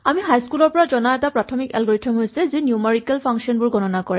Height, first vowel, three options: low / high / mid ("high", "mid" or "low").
low